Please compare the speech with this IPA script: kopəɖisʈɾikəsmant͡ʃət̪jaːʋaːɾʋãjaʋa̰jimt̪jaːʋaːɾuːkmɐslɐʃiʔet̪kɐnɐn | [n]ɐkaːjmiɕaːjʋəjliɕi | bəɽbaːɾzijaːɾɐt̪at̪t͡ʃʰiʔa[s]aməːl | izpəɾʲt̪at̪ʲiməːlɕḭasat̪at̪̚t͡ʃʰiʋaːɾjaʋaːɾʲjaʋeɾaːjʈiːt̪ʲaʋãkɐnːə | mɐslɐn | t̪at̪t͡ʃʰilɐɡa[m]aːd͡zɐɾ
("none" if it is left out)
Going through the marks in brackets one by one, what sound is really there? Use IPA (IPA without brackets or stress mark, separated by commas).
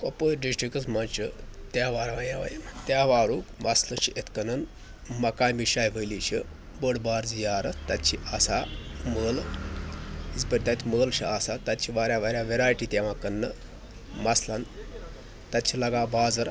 m, s, b